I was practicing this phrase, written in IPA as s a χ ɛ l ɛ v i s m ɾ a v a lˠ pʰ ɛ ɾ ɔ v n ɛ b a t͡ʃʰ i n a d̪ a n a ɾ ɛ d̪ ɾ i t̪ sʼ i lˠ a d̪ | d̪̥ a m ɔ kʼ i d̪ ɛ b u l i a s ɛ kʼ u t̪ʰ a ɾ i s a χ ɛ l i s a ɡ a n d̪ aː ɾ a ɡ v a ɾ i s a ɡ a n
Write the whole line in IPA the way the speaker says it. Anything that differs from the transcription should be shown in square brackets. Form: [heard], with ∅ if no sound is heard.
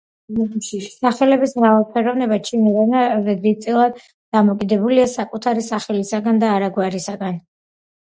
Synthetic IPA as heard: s a χ ɛ l ɛ [b] i s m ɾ a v a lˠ pʰ ɛ ɾ ɔ v n ɛ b a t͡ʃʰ i n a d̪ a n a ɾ ɛ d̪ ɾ i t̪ sʼ i lˠ a d̪ | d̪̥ a m ɔ kʼ i d̪ ɛ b u l i a s [a] kʼ u t̪ʰ a ɾ i s a χ ɛ l i s a ɡ a n d̪ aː ɾ a ɡ [w] a ɾ i s a ɡ a n